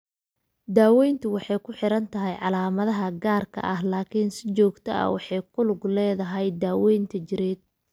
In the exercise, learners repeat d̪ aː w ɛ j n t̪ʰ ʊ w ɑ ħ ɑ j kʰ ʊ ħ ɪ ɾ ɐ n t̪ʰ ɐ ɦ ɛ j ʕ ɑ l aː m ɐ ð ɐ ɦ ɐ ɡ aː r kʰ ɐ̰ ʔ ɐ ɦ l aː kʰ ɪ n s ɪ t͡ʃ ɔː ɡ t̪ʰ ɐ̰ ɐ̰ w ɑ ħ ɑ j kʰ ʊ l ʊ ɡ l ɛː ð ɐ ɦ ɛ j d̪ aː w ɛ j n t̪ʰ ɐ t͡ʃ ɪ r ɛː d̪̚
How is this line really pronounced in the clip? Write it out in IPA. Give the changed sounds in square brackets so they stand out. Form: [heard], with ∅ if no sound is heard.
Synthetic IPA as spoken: d̪ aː w ɛ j n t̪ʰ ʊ w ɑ ħ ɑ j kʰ ʊ ħ ɪ ɾ ɐ n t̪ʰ ɐ ɦ ɛ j ʕ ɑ l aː m ɐ ð ɐ ɦ ɐ ɡ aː r kʰ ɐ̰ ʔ ɐ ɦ l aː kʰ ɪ n s ɪ t͡ʃ ɔː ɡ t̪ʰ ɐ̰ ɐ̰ w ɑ ħ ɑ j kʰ ʊ l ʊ ɡ l ɛː ð ɐ ɦ ɛ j d̪ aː w ɛ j n t̪ʰ ɐ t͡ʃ ɪ [ɾ] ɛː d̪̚